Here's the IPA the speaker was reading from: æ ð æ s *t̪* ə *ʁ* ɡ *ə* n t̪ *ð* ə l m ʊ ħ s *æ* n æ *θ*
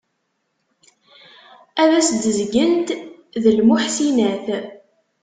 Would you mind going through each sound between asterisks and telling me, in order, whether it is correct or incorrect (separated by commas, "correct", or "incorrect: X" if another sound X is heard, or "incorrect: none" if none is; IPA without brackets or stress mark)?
incorrect: d̪, incorrect: z, correct, correct, incorrect: i, correct